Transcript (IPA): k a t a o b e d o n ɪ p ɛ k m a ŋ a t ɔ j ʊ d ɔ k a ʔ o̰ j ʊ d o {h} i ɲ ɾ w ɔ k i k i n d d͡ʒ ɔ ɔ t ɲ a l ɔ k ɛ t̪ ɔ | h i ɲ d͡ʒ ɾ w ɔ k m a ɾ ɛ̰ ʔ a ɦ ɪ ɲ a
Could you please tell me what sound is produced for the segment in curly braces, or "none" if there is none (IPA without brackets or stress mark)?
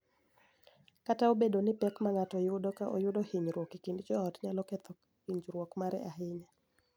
h